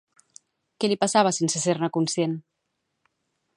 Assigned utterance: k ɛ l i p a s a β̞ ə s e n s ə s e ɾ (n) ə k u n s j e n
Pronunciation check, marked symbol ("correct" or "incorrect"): correct